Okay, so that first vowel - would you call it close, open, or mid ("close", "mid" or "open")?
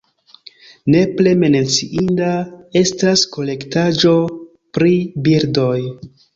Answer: mid